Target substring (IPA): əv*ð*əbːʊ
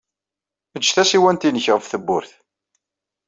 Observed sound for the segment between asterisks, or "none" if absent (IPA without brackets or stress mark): θ